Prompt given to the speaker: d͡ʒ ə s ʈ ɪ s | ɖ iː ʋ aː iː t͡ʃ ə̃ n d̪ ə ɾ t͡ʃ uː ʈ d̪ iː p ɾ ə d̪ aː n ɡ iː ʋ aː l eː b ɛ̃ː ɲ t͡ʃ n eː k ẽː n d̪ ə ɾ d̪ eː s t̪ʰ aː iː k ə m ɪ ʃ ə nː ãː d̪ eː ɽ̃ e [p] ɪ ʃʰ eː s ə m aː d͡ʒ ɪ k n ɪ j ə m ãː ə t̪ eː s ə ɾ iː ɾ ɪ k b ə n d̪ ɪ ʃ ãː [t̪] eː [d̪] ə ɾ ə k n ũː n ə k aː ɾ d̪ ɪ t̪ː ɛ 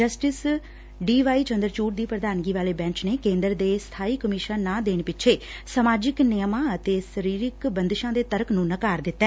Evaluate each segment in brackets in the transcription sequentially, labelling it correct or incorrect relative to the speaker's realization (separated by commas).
correct, incorrect, incorrect